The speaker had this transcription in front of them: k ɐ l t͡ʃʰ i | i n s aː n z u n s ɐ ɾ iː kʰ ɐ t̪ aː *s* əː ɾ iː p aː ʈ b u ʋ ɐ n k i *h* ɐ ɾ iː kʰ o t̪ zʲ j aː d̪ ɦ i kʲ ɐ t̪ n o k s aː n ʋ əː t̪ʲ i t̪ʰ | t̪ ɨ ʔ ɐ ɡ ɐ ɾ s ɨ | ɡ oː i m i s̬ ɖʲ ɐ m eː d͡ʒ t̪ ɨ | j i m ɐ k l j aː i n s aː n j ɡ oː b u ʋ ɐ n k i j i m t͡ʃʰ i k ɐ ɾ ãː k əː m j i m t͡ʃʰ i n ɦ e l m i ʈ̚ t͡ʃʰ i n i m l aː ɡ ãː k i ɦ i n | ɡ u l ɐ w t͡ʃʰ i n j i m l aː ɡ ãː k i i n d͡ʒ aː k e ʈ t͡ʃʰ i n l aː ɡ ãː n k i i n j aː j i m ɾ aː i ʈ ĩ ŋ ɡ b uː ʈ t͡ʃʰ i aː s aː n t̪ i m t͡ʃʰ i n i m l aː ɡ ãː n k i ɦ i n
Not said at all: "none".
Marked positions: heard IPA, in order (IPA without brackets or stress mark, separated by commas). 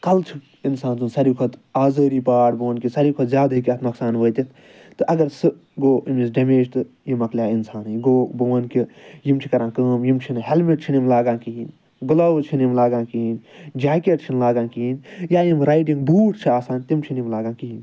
z, s